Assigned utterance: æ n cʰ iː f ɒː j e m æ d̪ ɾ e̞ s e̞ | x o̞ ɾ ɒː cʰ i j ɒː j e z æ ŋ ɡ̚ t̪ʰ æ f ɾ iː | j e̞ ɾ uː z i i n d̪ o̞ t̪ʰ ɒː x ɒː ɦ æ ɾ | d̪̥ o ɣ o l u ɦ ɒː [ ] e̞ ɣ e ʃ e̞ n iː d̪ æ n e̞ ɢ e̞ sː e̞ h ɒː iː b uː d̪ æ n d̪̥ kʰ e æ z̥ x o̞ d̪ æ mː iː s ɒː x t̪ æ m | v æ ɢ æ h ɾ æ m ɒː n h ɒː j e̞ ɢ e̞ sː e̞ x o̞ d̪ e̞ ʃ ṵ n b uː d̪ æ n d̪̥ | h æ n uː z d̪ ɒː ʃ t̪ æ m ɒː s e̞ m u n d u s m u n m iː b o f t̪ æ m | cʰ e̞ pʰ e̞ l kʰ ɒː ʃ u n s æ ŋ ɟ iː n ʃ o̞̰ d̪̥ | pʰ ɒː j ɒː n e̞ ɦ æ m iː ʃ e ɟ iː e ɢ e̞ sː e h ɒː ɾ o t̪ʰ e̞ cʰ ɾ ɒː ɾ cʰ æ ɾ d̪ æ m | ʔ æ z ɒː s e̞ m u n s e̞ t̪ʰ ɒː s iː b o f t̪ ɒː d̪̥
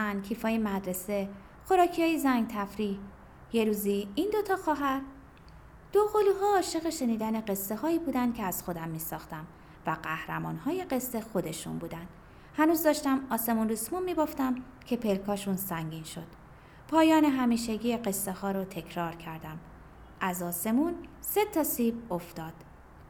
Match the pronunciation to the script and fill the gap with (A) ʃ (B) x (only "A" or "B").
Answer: A